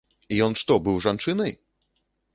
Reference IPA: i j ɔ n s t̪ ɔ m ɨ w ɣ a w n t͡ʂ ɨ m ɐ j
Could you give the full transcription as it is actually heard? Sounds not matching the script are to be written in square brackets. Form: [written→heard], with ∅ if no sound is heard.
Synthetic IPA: i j ɔ n [s→ʂ] t̪ ɔ [m→b] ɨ w [ɣ→ʐ] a [w→∅] n t͡ʂ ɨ [m→n] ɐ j